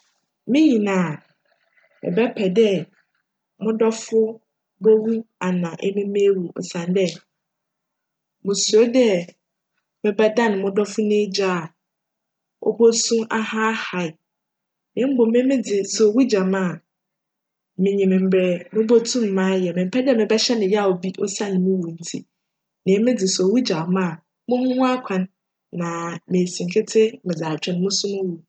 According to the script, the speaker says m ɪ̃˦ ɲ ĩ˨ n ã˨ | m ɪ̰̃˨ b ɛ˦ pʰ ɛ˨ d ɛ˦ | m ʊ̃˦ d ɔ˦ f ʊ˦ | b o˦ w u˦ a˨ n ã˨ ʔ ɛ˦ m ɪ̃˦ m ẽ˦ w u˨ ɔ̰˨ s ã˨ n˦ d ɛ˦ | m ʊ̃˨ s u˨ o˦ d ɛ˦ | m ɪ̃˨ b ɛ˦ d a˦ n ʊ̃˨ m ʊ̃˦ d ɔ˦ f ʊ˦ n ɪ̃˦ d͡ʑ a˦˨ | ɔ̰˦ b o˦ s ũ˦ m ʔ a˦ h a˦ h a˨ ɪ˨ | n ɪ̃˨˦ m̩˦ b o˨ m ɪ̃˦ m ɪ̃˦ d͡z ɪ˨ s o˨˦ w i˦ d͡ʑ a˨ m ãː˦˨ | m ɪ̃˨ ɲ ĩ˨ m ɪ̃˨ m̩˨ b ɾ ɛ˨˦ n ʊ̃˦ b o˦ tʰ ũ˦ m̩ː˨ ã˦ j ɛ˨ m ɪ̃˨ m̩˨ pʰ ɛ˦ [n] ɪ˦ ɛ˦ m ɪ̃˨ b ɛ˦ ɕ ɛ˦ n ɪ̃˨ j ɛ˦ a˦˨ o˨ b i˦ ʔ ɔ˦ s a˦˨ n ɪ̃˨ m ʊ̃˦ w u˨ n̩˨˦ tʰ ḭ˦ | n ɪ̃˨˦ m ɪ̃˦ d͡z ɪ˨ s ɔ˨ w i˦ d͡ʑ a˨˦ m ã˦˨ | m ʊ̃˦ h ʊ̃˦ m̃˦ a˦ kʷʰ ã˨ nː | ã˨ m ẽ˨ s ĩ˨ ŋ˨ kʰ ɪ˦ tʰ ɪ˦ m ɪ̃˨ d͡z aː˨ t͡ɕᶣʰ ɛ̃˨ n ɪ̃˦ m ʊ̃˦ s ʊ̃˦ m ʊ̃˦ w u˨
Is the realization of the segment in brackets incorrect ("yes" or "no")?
yes